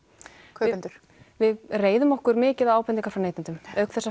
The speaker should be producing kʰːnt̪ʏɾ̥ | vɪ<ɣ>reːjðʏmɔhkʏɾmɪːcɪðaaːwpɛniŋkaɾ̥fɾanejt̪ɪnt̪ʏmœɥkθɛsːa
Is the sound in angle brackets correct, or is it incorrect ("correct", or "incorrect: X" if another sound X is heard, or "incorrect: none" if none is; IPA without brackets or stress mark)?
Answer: incorrect: ð